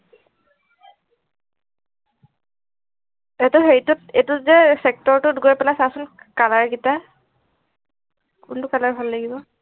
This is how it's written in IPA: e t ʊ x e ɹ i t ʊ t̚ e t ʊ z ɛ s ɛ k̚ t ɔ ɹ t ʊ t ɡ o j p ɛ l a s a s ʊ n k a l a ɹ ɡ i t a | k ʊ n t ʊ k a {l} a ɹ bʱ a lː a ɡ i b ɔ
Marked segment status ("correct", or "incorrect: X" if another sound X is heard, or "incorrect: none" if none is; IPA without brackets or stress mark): correct